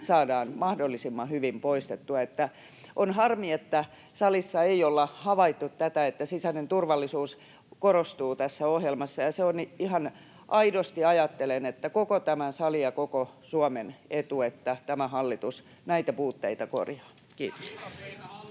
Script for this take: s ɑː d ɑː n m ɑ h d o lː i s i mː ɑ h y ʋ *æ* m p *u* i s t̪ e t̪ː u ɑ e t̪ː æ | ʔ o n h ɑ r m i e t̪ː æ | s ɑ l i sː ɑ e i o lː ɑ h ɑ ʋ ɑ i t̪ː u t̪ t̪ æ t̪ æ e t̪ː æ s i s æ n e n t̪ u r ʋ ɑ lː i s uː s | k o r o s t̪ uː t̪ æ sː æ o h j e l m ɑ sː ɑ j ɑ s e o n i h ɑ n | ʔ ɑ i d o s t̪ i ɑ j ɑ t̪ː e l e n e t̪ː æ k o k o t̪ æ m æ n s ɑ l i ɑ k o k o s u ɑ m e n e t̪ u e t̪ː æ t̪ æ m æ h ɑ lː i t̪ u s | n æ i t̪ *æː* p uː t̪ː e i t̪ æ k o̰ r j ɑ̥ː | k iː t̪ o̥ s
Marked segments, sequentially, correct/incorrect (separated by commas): incorrect, incorrect, incorrect